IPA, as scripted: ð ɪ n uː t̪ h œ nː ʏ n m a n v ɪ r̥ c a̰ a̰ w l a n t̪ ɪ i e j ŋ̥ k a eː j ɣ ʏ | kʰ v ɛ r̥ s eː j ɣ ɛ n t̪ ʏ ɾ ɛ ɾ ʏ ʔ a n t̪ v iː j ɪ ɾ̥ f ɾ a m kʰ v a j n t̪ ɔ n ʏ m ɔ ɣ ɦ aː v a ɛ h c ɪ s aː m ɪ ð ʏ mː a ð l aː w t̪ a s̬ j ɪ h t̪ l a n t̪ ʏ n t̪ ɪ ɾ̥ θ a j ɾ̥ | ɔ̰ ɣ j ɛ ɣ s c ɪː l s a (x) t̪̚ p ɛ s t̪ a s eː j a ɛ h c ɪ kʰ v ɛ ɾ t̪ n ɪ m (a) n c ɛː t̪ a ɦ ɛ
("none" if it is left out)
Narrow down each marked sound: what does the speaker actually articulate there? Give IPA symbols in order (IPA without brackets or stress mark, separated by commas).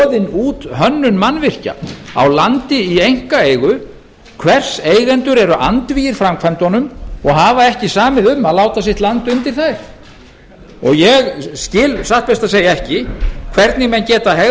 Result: h, ɛ